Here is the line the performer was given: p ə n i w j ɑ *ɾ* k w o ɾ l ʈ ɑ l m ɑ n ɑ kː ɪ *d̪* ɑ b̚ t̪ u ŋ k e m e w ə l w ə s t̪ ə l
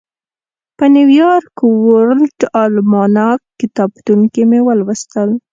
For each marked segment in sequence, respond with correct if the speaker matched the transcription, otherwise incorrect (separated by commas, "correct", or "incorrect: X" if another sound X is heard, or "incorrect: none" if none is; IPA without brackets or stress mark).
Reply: correct, incorrect: t̪